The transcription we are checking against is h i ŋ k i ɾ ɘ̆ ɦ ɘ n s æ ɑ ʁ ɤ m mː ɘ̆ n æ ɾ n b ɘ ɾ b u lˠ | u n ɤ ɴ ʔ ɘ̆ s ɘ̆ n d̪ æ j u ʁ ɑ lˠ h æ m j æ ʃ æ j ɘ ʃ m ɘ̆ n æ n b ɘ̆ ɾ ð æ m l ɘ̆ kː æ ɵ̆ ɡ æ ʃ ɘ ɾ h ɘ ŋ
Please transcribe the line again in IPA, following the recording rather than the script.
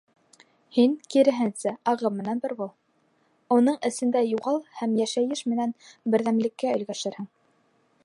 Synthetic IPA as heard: h i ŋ k i ɾ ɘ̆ ɦ ɘ n s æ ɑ ʁ ɤ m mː ɘ̆ n æ n b ɘ ɾ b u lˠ | u n ɤ ɴ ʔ ɘ̆ s ɘ̆ n d̪ æ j u ʁ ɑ lˠ h æ m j æ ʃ æ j ɘ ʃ m ɘ̆ n æ n b ɘ̆ ɾ ð æ m l ɘ̆ kː æ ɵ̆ ɡ æ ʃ ɘ ɾ h ɘ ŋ

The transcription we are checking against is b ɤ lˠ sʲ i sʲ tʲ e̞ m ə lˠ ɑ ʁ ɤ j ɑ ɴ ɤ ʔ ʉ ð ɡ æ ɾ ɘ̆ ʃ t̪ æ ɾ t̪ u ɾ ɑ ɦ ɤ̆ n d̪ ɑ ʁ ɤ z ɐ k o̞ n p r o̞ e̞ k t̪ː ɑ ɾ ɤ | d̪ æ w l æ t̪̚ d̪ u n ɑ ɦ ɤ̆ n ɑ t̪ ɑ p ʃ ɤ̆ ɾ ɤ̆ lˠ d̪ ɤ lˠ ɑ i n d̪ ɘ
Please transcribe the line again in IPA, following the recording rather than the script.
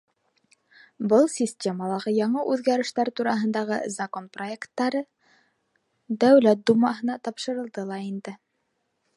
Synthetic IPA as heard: b ɤ lˠ sʲ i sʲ tʲ e̞ m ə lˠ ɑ ʁ ɤ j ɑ ɴ ɤ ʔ ʉ ð ɡ æ ɾ ɘ̆ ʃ t̪ æ ɾ t̪ u ɾ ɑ ɦ ɤ̆ n d̪ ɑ ʁ ɤ z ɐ k o̞ n p r o̞ e̞ k t̪ː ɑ ɾ ɤ | d̪ æ w l æ t̪̚ d̪ u m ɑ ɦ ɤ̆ n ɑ t̪ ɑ p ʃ ɤ̆ ɾ ɤ̆ lˠ d̪ ɤ lˠ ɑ i n d̪ ɘ

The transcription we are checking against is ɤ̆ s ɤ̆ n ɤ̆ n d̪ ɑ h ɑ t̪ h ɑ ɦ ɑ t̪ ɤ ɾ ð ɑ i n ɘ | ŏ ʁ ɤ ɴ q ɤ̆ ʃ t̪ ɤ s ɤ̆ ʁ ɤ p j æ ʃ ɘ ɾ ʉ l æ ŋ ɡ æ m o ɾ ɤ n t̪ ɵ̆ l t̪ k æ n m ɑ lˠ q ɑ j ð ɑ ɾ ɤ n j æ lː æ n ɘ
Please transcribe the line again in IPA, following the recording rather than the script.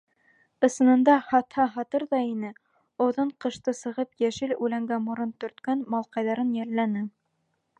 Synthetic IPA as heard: ɤ̆ s ɤ̆ n ɤ̆ n d̪ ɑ h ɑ t̪ h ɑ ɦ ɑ t̪ ɤ ɾ ð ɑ i n ɘ | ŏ ð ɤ ɴ q ɤ̆ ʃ t̪ ɤ s ɤ̆ ʁ ɤ p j æ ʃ ɘ l ʉ l æ ŋ ɡ æ m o ɾ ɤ n t̪ ɵ̆ ɾ t̪ k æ n m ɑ lˠ q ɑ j ð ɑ ɾ ɤ n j æ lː æ n ɘ

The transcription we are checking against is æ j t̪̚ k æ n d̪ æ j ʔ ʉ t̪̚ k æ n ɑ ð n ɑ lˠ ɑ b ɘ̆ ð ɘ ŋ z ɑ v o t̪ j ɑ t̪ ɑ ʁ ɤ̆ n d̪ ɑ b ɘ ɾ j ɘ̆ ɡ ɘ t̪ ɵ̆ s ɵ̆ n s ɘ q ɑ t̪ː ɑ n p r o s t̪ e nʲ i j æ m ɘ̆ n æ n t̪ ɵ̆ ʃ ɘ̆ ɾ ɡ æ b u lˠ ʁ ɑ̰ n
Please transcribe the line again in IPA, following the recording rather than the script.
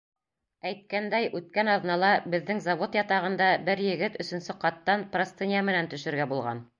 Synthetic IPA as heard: æ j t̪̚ k æ n d̪ æ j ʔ ʉ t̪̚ k æ n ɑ ð n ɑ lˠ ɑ b ɘ̆ ðː ɘ ŋ z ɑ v o t̪ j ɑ t̪ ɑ ʁ ɤ̆ n d̪ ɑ b ɘ ɾ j ɘ̆ ɡ ɘ t̪ ɵ̆ s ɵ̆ n s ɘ q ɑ t̪ː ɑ n p r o s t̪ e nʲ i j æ m ɘ̆ n æ n t̪ ɵ̆ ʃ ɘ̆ ɾ ɡ æ b u lˠ ʁ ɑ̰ n

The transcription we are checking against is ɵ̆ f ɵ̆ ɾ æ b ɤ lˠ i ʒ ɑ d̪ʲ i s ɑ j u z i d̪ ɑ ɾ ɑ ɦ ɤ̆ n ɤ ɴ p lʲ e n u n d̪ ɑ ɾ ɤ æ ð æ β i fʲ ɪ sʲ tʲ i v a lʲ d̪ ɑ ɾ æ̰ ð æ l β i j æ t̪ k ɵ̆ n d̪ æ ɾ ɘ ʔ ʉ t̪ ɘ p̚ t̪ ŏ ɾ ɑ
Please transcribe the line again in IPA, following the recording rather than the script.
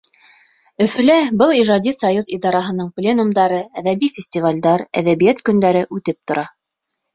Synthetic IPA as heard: ɵ̆ f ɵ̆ l æ b ɤ lˠ i ʒ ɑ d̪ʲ i s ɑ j u z i d̪ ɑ ɾ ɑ ɦ ɤ̆ n ɤ ɴ p lʲ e n u m d̪ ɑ ɾ ɤ æ ð æ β i fʲ ɪ sʲ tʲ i v a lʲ d̪ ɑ ɾ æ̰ ð æ β i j æ t̪ k ɵ̆ n d̪ æ ɾ ɘ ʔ ʉ t̪ ɘ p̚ t̪ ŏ ɾ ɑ

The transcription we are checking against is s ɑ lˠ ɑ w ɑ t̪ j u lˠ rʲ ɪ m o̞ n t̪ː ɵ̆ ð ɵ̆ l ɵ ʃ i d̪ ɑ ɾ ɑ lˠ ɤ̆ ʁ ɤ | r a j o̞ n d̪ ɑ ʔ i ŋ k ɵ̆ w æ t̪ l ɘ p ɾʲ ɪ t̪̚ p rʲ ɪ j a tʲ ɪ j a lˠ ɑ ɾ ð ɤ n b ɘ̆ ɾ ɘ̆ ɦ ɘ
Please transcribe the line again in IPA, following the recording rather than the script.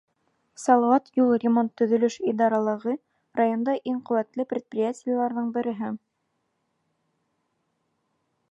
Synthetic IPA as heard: s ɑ lˠ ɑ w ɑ t̪ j u lˠ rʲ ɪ m o̞ n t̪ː ɵ̆ ð ɵ̆ l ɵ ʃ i d̪ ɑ ɾ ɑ lˠ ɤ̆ ʁ ɤ | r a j o̞ n d̪ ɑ ʔ i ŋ q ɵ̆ w æ t̪ l ɘ p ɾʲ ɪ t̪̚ p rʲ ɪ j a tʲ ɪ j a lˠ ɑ ɾ ð ɤ ɴ b ɘ̆ ɾ ɘ̆ ɦ ɘ

